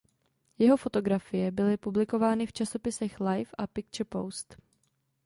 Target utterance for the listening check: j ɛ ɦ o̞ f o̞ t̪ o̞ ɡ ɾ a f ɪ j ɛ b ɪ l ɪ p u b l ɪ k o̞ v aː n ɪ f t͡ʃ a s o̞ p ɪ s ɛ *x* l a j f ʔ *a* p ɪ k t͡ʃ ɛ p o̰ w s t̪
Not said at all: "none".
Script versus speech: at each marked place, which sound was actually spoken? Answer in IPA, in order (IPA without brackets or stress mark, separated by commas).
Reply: x, a